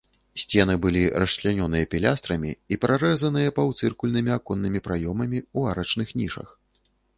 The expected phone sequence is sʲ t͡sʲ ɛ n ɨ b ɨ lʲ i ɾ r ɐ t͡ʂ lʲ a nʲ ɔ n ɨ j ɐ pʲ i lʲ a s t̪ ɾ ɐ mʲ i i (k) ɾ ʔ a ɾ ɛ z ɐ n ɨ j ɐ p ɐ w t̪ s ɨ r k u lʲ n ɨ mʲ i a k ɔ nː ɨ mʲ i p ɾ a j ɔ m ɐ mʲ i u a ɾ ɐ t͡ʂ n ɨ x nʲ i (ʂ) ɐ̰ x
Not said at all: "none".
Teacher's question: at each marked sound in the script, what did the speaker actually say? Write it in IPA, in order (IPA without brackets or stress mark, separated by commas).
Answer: p, ʂ